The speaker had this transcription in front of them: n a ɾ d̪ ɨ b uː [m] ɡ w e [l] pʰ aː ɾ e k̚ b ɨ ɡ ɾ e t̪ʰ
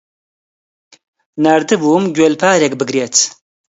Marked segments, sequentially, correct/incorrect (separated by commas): correct, correct